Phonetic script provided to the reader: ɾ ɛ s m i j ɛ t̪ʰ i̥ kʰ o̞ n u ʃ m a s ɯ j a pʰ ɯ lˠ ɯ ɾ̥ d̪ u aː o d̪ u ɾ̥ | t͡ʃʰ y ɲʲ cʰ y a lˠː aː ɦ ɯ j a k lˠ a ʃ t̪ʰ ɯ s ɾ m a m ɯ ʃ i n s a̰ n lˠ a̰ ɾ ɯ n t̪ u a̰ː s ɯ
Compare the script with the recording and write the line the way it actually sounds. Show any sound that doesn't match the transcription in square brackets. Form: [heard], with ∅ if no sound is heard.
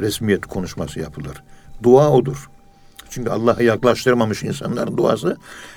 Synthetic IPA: ɾ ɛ s m i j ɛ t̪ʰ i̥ kʰ o̞ n u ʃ m a s ɯ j a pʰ ɯ lˠ ɯ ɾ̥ d̪ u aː o d̪ u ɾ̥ | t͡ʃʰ y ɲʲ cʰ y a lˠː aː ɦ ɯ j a k lˠ a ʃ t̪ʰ ɯ [∅] ɾ m a m ɯ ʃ i n s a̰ n lˠ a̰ ɾ ɯ n [d̪] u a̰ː s ɯ